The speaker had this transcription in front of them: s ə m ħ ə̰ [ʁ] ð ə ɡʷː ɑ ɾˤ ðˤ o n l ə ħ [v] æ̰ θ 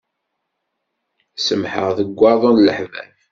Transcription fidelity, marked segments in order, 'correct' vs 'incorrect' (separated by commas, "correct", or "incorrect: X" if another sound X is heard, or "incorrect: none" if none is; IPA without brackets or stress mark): correct, correct